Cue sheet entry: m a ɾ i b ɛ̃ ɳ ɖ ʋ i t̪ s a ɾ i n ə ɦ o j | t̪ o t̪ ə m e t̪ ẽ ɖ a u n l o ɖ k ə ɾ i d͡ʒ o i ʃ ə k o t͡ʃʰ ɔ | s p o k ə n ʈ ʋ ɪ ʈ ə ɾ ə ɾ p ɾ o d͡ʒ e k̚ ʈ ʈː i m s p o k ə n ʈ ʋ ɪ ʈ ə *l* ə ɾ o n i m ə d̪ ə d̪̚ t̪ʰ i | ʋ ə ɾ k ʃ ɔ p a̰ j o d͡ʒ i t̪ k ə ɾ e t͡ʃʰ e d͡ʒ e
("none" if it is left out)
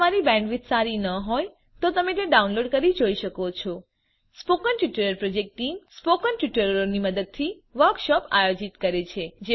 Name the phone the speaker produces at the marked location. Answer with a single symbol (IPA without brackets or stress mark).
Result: ɾ